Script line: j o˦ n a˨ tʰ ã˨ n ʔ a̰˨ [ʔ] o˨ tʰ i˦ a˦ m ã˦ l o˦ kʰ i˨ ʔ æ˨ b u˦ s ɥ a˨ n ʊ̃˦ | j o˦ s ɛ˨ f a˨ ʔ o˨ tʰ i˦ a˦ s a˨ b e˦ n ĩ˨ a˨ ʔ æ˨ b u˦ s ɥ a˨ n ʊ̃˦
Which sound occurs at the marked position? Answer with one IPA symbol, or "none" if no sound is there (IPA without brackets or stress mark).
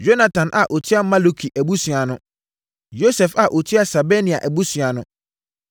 ʔ